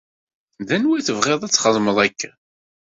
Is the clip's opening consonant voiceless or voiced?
voiced